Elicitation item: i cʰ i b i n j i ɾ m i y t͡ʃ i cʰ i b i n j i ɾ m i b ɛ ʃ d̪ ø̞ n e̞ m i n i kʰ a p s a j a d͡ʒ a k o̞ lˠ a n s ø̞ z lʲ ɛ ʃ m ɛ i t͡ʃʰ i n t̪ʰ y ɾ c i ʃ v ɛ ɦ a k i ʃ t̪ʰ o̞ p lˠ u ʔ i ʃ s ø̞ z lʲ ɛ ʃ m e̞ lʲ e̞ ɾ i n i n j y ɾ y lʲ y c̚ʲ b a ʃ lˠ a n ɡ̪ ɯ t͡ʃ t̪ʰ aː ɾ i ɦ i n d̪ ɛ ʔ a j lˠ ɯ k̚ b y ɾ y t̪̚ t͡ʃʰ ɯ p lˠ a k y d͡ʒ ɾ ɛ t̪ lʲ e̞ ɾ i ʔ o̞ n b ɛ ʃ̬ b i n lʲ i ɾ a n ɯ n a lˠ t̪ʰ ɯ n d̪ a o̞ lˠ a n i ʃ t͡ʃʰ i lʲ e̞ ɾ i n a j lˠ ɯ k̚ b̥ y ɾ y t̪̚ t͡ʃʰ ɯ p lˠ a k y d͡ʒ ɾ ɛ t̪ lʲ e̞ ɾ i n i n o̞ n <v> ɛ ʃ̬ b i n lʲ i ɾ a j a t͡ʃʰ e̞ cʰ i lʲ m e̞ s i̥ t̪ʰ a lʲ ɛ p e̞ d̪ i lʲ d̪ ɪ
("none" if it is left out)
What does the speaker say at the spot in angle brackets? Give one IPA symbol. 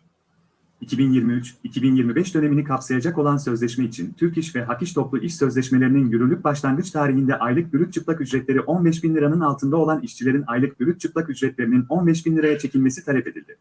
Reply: b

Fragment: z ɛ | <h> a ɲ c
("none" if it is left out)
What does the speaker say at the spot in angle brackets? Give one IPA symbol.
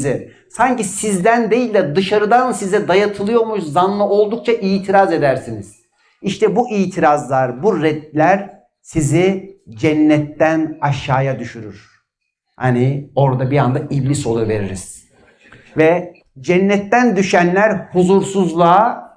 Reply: s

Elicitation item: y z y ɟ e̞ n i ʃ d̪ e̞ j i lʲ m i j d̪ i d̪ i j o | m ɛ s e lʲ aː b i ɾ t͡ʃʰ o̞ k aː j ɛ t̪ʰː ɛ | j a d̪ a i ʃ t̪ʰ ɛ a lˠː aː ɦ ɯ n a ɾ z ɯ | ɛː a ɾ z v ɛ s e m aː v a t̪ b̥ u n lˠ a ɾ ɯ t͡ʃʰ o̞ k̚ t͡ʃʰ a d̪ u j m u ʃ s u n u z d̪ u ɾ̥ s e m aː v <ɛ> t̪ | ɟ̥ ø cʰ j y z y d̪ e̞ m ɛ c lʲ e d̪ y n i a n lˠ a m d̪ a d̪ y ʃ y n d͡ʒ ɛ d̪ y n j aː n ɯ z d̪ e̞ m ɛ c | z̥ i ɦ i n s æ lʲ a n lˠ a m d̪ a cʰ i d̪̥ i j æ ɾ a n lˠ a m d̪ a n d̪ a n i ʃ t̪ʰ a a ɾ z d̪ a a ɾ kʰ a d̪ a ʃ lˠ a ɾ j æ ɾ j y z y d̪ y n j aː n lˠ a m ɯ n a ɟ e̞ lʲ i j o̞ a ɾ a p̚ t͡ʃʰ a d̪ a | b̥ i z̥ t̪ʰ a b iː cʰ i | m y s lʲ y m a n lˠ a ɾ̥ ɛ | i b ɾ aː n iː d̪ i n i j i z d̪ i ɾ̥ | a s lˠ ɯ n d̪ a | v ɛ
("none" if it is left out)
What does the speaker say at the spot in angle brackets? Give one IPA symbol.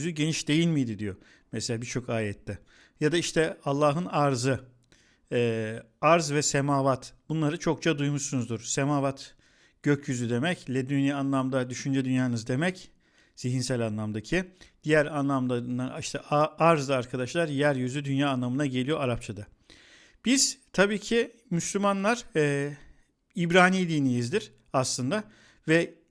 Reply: a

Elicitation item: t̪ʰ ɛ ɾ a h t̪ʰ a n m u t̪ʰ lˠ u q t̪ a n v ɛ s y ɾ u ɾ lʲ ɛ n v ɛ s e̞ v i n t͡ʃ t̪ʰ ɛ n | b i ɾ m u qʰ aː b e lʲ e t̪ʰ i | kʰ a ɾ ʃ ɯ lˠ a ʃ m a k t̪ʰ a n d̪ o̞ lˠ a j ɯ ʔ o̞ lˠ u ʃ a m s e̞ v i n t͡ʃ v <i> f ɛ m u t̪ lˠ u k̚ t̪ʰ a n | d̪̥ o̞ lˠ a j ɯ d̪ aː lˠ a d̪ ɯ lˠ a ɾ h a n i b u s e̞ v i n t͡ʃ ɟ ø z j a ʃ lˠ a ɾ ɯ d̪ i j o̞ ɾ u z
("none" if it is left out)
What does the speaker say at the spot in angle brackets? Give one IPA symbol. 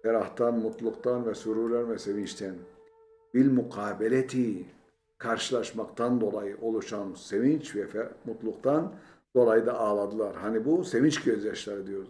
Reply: ɛ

